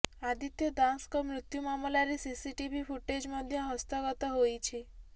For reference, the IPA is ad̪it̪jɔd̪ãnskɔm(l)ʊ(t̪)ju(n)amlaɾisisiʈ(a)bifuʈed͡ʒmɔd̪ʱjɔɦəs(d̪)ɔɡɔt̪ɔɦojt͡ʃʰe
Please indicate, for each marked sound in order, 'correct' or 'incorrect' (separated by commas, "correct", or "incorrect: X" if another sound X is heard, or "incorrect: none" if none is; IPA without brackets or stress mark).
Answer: incorrect: ɾ, correct, incorrect: m, incorrect: i, incorrect: t̪